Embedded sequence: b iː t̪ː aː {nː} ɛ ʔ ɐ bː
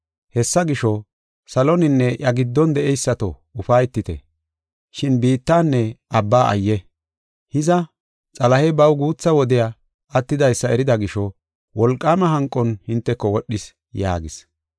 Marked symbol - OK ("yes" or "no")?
yes